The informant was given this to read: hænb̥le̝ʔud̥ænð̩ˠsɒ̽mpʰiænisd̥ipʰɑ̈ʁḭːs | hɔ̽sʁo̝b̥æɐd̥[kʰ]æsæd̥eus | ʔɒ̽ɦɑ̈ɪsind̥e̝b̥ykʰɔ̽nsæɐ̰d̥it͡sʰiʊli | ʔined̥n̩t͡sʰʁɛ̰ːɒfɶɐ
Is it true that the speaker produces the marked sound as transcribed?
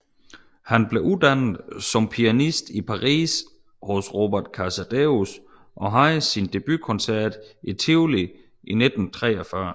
yes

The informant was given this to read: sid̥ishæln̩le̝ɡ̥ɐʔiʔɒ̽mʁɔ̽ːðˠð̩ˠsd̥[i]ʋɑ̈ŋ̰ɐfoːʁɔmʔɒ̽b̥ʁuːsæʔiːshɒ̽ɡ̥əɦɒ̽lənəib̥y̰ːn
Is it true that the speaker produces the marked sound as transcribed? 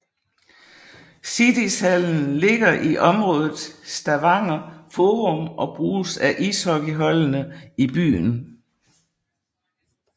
no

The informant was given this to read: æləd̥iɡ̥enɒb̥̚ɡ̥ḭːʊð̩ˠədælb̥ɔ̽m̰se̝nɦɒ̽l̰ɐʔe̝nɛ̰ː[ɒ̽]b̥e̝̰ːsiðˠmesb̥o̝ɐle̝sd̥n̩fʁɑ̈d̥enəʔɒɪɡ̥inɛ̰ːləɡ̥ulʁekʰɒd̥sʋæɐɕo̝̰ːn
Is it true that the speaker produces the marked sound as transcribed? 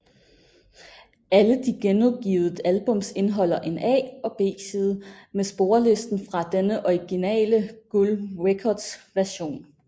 yes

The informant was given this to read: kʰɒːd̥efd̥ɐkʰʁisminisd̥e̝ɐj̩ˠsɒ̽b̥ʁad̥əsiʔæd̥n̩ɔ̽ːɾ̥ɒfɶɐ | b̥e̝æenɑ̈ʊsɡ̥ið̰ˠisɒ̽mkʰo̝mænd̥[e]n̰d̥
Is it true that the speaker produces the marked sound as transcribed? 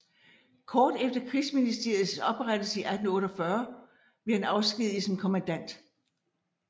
no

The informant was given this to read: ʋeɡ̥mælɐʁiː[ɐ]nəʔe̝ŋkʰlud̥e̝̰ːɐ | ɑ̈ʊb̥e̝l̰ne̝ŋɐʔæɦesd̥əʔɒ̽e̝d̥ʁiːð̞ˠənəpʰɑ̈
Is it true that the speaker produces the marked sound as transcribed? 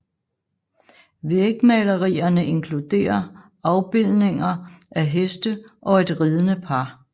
yes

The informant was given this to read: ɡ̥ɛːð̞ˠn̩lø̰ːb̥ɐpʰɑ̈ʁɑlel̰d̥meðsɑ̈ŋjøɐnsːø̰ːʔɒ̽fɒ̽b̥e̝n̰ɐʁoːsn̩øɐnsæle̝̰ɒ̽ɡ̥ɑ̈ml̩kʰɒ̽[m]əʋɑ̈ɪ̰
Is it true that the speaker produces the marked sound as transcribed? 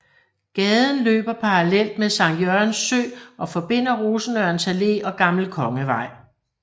no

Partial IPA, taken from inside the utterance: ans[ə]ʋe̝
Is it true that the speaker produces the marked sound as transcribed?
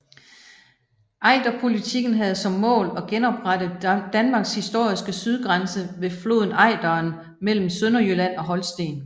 yes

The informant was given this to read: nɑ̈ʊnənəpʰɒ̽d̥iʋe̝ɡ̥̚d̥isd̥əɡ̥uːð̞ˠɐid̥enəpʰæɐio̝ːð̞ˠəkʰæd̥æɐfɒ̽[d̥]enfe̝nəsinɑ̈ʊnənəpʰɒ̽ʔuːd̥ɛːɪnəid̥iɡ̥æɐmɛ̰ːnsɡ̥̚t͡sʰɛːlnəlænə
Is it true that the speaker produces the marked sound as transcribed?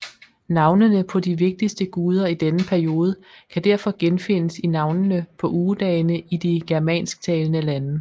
no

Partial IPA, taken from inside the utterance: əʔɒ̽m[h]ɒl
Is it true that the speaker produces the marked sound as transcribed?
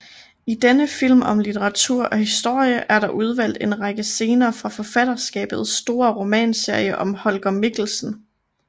yes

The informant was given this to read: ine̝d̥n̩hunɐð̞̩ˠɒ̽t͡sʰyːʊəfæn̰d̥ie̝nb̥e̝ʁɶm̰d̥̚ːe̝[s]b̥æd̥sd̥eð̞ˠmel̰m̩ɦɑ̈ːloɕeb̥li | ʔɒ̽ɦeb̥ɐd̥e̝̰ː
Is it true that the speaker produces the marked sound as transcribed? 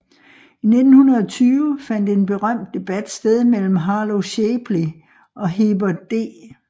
no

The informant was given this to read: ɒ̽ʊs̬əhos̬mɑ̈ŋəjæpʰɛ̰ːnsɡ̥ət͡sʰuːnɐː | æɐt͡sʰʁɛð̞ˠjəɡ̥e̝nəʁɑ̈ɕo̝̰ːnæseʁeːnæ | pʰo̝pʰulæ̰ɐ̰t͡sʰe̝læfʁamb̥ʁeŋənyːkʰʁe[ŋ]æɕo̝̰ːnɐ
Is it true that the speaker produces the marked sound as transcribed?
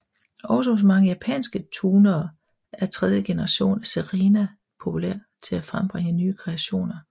no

